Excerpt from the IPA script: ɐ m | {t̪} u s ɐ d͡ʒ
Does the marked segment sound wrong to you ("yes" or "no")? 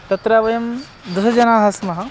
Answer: yes